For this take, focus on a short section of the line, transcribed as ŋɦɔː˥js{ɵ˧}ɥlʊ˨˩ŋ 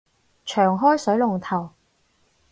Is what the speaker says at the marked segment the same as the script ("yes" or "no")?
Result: no